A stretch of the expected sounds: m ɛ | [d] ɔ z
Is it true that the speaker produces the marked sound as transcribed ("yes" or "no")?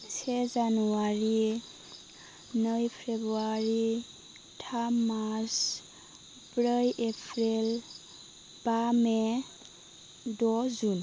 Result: yes